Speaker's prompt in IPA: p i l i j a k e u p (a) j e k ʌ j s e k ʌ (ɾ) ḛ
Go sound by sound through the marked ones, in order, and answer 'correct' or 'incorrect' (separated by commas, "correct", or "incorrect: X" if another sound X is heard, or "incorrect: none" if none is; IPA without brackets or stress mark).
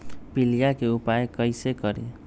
correct, correct